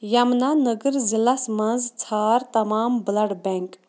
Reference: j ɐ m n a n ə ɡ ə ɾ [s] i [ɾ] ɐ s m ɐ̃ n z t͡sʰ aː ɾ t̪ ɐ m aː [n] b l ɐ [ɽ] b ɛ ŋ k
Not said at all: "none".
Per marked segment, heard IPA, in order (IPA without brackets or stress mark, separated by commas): z, l, m, ɽ